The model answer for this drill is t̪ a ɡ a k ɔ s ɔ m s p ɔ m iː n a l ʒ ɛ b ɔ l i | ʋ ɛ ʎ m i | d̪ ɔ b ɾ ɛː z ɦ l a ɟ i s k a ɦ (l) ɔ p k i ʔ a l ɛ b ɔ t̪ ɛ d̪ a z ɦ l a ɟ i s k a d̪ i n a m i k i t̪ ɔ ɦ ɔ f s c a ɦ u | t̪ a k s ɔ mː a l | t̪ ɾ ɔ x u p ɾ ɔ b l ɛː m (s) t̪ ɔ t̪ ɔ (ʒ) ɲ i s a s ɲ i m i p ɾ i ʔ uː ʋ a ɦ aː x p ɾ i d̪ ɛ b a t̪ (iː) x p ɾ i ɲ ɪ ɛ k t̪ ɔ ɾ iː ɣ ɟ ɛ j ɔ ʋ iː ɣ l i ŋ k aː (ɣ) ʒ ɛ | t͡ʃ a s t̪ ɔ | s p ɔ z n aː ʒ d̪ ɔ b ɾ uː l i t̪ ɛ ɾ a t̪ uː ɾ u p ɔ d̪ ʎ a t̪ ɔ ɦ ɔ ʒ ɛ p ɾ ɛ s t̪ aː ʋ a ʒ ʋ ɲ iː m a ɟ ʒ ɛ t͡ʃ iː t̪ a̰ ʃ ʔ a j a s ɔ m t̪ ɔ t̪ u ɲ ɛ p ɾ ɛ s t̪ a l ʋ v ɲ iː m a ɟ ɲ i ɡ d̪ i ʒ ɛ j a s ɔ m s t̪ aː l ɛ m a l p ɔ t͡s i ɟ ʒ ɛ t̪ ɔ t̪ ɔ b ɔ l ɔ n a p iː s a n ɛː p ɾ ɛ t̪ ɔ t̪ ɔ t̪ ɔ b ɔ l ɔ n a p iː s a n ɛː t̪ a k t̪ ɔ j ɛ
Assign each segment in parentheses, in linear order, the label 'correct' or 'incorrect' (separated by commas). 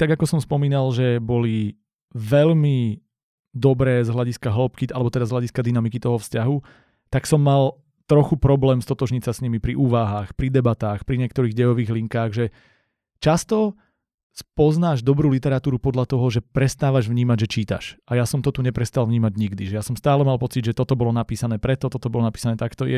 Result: correct, correct, correct, incorrect, correct